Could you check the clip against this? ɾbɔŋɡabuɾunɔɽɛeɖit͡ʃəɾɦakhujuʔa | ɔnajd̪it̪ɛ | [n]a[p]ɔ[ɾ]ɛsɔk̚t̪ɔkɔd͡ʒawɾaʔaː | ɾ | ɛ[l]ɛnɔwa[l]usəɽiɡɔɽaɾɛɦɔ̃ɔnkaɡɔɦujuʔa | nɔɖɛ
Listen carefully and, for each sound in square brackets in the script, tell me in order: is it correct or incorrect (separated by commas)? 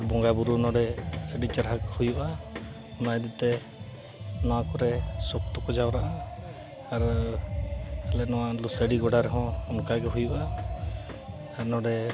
correct, incorrect, correct, correct, correct